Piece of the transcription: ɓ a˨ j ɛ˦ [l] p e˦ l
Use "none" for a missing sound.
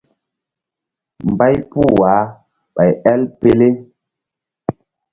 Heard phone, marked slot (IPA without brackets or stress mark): l